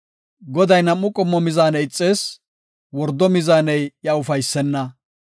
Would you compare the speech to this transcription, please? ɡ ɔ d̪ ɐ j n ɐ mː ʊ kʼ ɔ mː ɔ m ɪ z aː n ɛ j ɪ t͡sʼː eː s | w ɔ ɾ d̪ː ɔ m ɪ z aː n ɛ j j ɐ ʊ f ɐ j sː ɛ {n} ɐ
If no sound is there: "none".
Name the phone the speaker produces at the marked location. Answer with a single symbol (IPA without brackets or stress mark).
nː